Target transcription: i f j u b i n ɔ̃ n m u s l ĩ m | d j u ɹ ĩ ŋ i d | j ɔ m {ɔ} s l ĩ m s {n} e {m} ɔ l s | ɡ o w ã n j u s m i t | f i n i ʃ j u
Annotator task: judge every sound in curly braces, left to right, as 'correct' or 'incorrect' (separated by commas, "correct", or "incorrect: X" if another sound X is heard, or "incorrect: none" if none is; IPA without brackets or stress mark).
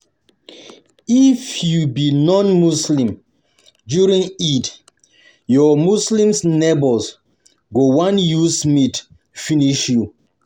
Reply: incorrect: u, correct, incorrect: b